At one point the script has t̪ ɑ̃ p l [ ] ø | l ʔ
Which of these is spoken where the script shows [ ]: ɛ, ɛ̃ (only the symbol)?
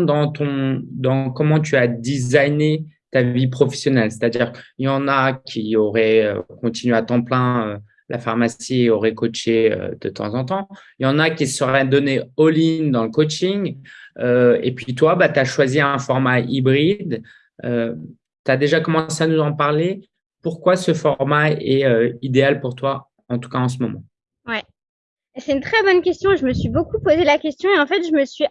ɛ̃